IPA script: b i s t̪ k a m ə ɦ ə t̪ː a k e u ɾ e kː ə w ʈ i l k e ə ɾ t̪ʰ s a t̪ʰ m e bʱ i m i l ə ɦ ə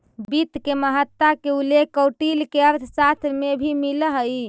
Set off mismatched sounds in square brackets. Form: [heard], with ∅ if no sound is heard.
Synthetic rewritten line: b i [∅] t̪ k [e] m ə ɦ ə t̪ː a k e u [l] e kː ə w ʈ i l k e ə ɾ t̪ʰ s a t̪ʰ m e bʱ i m i l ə ɦ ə